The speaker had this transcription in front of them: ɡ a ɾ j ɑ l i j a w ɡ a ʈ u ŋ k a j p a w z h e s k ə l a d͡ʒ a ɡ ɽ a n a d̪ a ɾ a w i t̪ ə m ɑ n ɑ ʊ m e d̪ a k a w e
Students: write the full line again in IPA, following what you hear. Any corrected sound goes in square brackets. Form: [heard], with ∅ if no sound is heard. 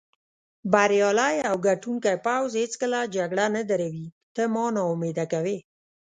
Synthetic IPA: [b] a ɾ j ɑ l [a] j a w ɡ a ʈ u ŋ k a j p a w z h e [t͡s] k ə l a d͡ʒ a ɡ ɽ a n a d̪ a ɾ a w i t̪ ə m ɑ n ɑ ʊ m e d̪ a k a w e